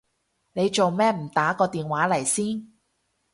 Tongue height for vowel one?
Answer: mid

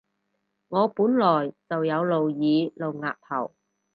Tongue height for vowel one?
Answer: mid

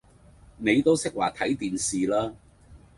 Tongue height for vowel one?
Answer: mid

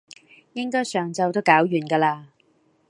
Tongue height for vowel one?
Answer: high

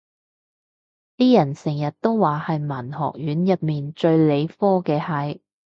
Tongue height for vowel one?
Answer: high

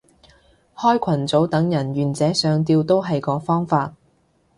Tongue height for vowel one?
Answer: mid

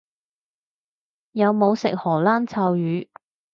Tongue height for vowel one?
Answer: low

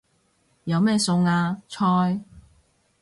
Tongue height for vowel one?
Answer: low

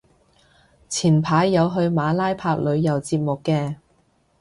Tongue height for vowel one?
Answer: high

